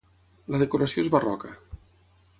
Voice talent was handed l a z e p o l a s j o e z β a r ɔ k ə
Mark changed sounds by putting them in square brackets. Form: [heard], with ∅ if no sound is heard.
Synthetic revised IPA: l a [ð] e [k] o [ɾ] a s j o e z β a r ɔ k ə